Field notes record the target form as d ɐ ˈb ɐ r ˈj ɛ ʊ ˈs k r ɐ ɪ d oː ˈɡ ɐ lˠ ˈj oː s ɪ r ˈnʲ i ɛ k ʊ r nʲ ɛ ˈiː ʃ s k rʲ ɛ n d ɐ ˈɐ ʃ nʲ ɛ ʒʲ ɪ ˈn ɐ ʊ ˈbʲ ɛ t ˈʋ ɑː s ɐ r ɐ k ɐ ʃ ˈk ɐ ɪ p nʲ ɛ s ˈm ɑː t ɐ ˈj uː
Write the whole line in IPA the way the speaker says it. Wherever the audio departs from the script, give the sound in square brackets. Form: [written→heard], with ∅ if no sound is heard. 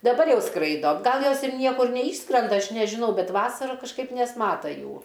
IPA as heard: d ɐ ˈb ɐ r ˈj ɛ ʊ ˈs k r ɐ ɪ d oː ˈɡ ɐ lˠ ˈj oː s ɪ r ˈnʲ i ɛ k ʊ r nʲ ɛ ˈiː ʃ s k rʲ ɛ n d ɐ ˈɐ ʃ nʲ ɛ ʒʲ ɪ ˈn ɐ ʊ ˈbʲ ɛ t ˈʋ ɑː s ɐ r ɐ k ɐ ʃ ˈk ɐ ɪ p nʲ ɛ s ˈm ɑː t ɐ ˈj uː